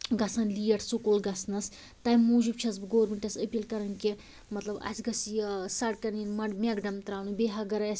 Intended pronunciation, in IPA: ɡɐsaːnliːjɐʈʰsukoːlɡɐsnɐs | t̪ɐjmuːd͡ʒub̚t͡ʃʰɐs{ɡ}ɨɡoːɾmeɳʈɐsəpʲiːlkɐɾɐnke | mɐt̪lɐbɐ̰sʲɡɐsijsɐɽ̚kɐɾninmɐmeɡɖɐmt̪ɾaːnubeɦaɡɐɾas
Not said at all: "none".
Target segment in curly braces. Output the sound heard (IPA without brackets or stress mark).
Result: b